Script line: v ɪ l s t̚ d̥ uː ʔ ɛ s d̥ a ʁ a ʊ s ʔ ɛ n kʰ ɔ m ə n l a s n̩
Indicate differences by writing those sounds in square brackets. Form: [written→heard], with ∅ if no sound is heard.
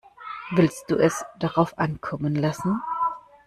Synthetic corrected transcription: v ɪ l s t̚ d̥ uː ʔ ɛ s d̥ a ʁ a ʊ [s→f] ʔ [ɛ→a] n kʰ ɔ m ə n l a s n̩